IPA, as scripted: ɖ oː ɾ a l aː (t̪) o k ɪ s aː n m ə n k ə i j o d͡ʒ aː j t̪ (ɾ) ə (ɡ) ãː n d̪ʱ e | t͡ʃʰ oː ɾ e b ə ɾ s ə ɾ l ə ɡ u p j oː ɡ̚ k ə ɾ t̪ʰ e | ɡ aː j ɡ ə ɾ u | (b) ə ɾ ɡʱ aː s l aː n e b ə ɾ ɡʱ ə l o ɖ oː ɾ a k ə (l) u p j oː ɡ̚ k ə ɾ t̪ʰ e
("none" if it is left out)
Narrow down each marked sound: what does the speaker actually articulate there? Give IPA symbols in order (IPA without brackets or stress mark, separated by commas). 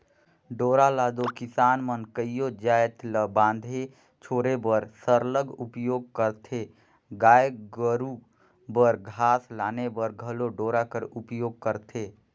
d̪, l, b, b, ɾ